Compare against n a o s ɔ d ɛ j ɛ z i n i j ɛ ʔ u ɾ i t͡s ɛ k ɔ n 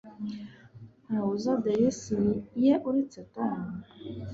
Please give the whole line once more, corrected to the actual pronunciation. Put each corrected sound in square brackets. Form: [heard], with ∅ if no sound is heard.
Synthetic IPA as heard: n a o [z] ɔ d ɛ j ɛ [s] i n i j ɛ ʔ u ɾ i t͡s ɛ [t] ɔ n